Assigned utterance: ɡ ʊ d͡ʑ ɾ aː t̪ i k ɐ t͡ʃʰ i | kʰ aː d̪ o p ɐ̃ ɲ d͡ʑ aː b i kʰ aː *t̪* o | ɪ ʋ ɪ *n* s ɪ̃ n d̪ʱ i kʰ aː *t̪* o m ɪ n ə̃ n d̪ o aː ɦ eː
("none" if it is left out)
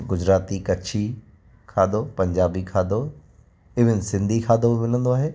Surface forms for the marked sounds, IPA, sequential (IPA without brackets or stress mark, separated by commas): d̪, n, d̪